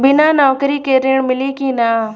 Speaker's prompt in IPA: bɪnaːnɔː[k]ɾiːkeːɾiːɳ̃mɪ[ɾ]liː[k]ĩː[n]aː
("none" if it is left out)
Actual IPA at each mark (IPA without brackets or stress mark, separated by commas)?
k, none, k, n